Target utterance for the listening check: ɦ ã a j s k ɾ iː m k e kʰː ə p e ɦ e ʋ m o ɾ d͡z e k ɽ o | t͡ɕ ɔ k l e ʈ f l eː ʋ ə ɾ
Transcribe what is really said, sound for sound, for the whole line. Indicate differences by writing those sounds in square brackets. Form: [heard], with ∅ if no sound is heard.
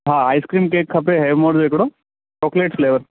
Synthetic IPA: ɦ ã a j s k ɾ iː m k e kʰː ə p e ɦ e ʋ m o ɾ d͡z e k ɽ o | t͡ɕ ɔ k l e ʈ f l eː ʋ ə ɾ